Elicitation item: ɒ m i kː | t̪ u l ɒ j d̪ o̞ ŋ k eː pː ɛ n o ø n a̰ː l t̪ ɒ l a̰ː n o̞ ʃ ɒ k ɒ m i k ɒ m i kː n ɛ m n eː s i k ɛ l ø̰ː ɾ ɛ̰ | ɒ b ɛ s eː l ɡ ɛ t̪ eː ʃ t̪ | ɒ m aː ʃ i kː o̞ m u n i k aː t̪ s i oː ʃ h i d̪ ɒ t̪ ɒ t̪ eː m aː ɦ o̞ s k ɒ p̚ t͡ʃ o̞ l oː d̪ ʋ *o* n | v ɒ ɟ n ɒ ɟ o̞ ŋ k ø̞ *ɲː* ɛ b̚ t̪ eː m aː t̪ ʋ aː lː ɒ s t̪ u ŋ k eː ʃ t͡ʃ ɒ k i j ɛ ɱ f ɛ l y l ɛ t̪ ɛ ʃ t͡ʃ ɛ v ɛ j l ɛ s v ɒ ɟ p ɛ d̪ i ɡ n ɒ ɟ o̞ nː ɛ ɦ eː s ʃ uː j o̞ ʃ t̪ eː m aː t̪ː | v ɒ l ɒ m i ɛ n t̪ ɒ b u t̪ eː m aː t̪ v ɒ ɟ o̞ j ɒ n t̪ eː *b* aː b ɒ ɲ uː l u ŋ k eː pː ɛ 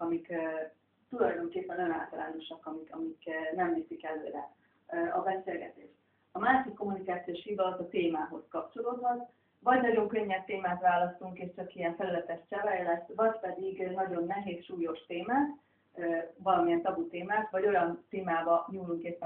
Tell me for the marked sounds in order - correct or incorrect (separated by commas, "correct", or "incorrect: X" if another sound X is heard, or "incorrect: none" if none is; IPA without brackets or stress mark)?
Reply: incorrect: ɒ, correct, incorrect: m